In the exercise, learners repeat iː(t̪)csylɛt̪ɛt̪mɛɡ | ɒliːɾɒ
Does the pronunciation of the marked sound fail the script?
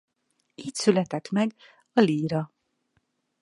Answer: yes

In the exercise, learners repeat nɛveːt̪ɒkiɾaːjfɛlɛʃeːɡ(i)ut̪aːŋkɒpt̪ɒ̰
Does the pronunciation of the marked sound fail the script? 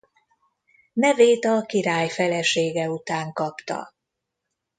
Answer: yes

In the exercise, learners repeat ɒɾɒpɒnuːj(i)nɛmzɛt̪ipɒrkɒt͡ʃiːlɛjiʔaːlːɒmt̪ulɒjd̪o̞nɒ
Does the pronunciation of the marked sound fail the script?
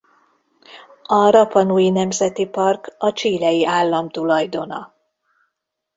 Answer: no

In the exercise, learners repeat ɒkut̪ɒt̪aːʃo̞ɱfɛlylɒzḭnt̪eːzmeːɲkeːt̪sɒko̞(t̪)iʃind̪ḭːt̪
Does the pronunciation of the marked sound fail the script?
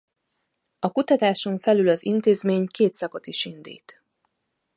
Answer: no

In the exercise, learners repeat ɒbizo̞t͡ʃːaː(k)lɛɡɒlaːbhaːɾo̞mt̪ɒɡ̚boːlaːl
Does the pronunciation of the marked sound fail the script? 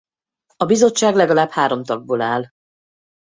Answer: yes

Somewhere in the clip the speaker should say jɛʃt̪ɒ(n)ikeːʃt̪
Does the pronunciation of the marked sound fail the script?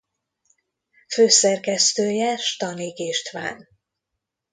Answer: no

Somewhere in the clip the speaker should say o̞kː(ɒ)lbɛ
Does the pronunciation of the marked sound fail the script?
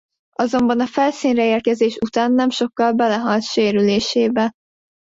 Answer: no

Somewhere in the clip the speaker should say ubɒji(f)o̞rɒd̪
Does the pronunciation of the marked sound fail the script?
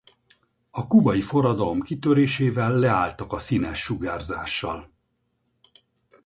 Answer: no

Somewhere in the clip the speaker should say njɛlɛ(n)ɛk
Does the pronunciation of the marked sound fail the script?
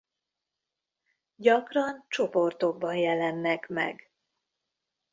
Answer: yes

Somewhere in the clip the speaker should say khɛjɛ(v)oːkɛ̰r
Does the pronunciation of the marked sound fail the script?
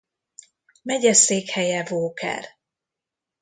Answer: no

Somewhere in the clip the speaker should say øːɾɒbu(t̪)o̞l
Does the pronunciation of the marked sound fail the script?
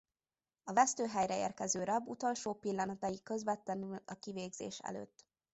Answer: no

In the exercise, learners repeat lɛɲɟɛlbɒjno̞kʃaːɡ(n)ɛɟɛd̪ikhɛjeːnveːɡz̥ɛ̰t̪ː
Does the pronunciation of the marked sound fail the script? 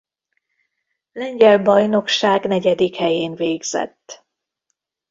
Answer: no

